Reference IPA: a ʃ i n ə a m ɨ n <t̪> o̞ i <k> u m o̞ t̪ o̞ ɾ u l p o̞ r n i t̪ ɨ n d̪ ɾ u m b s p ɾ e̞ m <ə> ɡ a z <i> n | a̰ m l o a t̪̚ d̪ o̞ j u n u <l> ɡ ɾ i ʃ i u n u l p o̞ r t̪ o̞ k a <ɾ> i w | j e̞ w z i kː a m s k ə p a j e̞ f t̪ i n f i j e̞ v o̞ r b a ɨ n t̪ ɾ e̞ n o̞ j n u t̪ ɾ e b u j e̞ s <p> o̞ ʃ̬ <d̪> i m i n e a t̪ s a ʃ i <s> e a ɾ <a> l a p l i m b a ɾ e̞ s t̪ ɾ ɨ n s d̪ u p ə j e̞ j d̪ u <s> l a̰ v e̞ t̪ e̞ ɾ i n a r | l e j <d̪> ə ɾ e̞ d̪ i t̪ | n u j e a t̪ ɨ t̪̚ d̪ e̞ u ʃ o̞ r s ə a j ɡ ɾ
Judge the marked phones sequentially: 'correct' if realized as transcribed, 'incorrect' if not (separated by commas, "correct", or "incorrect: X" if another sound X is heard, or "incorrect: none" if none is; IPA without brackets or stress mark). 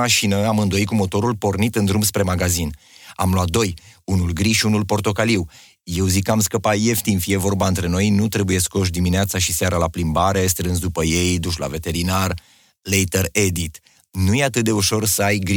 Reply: incorrect: d̪, correct, incorrect: a, correct, correct, incorrect: l, incorrect: k, correct, correct, correct, incorrect: ʃ, incorrect: t̪